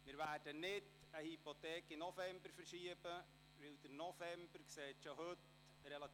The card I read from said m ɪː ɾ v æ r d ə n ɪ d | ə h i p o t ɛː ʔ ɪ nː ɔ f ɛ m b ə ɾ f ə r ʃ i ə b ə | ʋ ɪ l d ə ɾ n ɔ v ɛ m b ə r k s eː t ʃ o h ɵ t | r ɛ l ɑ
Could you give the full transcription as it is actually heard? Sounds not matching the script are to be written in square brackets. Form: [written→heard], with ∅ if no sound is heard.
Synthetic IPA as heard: m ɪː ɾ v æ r d ə n ɪ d | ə h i p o t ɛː [ʔ→k] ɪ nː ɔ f ɛ m b ə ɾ f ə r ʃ i ə b ə | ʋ ɪ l d ə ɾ n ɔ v ɛ m b ə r k s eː t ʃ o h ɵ t | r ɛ l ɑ